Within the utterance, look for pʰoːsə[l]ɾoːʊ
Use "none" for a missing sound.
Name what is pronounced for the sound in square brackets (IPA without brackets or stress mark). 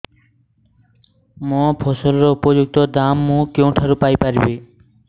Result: l